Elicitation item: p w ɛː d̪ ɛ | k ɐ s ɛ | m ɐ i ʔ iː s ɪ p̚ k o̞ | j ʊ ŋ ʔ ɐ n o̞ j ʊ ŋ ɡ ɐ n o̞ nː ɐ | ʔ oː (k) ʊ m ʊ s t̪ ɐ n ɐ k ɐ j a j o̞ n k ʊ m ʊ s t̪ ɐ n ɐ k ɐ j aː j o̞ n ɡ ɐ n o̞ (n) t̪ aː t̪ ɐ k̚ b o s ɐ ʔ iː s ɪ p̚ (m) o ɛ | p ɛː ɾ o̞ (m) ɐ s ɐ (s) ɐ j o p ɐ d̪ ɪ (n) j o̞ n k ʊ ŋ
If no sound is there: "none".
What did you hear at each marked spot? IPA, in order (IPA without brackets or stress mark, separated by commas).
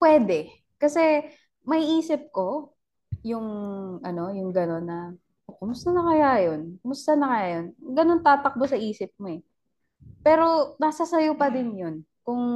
k, n, m, n, s, n